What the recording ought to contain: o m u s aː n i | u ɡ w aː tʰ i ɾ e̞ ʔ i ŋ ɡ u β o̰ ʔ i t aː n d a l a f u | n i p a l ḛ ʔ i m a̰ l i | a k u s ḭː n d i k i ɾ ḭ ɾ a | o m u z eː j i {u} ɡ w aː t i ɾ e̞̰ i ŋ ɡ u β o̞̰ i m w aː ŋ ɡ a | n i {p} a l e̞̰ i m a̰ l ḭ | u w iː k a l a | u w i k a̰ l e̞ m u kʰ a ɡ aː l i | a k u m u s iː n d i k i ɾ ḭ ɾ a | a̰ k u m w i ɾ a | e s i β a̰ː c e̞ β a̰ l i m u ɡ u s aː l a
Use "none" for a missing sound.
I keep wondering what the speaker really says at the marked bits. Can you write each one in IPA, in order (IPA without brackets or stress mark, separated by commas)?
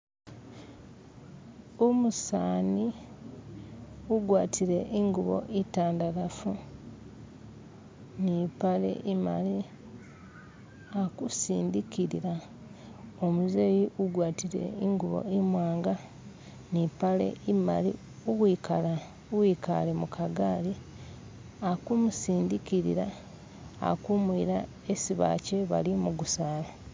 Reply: u, p